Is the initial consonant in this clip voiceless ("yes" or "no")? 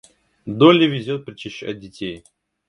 no